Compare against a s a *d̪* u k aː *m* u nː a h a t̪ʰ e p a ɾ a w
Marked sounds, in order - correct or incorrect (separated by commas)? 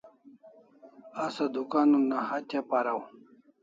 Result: correct, incorrect